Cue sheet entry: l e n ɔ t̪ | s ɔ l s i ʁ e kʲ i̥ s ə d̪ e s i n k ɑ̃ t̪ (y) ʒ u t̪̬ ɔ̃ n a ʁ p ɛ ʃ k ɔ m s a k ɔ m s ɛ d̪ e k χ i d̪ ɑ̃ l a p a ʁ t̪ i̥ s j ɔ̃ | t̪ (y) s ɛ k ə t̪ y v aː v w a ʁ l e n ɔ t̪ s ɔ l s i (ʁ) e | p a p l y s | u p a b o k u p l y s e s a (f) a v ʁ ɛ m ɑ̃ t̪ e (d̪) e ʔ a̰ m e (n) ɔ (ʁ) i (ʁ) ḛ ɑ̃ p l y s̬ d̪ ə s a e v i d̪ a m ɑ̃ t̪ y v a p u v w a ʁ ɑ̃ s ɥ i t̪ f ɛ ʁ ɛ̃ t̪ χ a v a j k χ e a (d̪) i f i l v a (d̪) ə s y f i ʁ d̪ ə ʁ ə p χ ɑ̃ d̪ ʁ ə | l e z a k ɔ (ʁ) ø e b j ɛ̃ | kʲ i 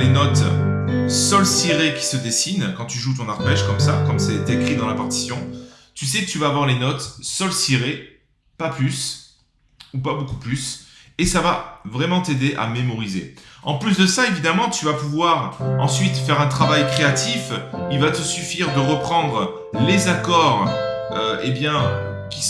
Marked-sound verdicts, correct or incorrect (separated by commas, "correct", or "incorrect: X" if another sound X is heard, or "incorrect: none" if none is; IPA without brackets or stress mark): correct, correct, correct, incorrect: v, correct, incorrect: m, correct, incorrect: z, incorrect: t̪, incorrect: t̪, correct